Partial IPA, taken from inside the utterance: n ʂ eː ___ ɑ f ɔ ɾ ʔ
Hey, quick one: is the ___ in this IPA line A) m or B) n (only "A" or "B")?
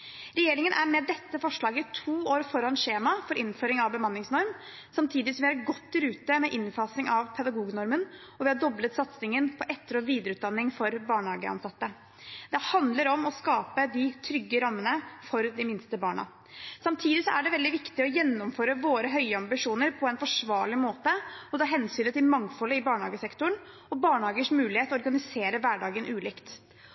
A